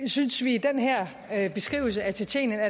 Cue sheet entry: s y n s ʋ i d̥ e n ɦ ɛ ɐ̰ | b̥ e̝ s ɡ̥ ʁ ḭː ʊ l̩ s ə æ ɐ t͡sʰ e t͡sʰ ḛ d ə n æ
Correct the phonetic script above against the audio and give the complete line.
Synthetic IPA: s y n s ʋ i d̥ e n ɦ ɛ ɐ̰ | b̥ e̝ s ɡ̥ ʁ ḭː ʊ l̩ s ə æ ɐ t͡sʰ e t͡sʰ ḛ n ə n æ